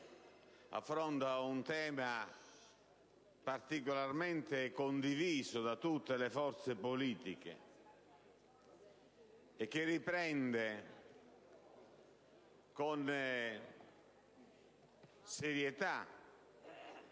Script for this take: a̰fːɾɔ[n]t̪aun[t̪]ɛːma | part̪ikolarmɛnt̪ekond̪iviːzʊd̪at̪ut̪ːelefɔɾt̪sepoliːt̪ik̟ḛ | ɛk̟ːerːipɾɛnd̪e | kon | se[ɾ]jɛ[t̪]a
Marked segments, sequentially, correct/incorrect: correct, correct, correct, correct

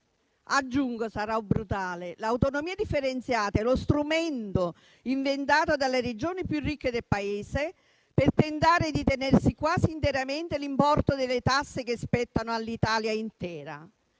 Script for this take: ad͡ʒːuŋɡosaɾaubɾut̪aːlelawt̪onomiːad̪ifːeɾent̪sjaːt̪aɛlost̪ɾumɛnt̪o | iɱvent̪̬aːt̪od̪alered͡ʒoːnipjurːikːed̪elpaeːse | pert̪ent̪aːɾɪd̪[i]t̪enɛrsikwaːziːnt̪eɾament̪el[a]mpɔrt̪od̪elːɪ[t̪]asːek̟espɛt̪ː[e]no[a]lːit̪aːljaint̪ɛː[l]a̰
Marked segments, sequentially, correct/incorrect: correct, incorrect, correct, incorrect, correct, incorrect

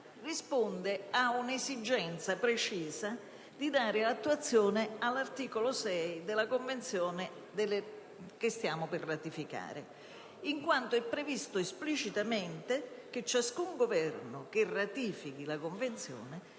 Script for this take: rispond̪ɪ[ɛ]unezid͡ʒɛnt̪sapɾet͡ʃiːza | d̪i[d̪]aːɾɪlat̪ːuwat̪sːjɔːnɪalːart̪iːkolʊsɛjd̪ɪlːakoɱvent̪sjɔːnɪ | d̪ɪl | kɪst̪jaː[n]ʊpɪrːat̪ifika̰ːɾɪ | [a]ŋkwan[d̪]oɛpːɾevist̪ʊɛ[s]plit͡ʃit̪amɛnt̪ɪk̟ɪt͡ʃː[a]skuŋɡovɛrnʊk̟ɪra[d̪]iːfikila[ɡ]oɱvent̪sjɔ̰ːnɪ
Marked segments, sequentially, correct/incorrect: incorrect, correct, incorrect, incorrect, incorrect, correct, correct, incorrect, incorrect

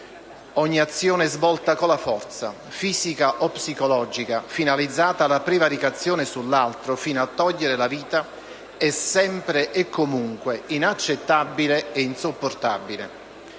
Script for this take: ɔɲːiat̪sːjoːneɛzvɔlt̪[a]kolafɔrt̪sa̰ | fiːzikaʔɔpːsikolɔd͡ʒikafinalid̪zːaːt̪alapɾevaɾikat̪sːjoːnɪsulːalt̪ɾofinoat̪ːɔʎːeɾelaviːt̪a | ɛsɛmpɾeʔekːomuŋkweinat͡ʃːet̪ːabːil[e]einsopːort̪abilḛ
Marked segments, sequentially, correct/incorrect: correct, correct

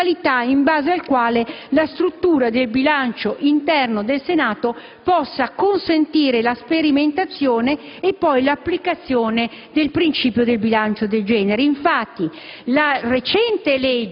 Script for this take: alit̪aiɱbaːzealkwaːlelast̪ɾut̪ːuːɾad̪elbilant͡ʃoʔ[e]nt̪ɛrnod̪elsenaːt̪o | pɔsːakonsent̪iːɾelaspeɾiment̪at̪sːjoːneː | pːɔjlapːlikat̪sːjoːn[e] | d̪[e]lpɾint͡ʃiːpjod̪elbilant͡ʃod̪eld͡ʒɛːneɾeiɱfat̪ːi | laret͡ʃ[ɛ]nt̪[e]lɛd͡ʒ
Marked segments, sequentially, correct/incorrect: incorrect, correct, correct, correct, correct

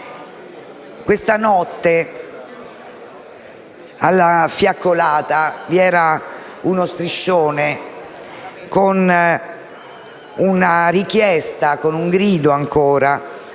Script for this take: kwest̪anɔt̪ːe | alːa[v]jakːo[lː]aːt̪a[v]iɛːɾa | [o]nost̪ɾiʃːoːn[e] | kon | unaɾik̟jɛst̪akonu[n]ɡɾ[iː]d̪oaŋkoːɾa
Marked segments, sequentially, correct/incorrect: incorrect, incorrect, correct, incorrect, correct, incorrect, correct

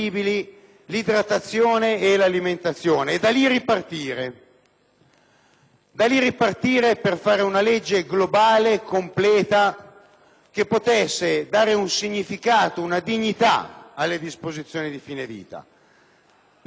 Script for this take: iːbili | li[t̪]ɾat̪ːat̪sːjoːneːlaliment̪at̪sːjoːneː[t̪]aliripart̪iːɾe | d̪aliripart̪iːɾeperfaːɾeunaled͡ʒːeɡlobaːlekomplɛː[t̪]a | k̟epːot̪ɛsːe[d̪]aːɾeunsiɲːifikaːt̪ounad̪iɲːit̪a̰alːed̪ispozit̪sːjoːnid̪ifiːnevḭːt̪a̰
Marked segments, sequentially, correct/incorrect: incorrect, incorrect, correct, correct

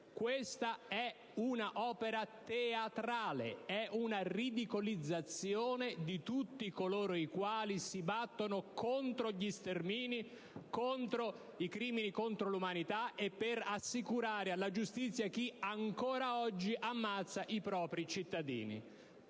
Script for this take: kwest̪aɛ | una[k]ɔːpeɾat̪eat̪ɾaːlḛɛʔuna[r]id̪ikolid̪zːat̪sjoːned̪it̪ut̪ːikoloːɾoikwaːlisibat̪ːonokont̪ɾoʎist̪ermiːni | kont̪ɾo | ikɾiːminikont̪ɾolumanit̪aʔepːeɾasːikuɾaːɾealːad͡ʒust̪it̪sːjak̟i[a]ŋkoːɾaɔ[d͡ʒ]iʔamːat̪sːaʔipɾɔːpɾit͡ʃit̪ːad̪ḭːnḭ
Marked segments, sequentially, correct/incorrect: incorrect, correct, correct, incorrect

